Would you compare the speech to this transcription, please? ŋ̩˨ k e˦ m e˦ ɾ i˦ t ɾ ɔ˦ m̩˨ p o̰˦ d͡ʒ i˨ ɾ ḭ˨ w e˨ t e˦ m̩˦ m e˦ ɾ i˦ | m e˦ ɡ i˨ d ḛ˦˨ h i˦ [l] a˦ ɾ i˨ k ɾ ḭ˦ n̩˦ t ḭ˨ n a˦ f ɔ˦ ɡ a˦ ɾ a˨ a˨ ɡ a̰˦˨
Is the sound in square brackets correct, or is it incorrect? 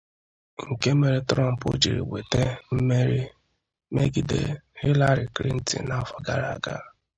correct